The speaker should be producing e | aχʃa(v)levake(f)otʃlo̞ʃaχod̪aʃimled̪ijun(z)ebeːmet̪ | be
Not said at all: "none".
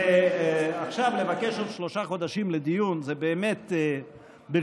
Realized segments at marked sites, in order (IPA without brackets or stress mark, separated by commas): v, ʃ, z